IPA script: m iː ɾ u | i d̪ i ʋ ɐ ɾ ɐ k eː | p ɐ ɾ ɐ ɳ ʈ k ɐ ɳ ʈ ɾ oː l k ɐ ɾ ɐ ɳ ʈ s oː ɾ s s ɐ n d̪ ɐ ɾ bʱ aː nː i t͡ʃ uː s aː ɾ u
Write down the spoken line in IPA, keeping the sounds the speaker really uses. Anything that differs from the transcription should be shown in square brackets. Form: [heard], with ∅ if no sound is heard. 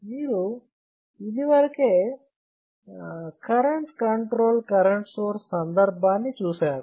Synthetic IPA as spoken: m iː ɾ u | i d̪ i ʋ ɐ ɾ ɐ k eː | [k] ɐ ɾ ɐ ɳ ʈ k ɐ ɳ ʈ ɾ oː l k ɐ ɾ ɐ ɳ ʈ s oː ɾ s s ɐ n d̪ ɐ ɾ bʱ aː nː i t͡ʃ uː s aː ɾ u